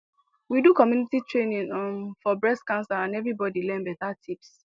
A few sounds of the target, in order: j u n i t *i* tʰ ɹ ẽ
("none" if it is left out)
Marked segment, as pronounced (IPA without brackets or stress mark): i